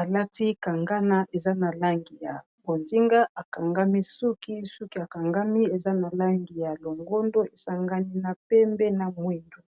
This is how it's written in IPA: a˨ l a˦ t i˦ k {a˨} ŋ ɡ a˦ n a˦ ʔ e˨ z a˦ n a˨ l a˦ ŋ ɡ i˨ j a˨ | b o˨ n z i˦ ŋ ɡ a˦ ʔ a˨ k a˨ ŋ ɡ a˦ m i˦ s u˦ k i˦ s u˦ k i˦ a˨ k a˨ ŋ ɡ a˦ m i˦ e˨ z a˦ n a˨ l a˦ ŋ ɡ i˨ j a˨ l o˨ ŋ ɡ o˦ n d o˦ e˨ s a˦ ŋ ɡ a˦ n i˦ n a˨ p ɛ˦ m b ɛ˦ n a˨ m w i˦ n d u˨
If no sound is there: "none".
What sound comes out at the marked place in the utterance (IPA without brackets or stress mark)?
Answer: a˨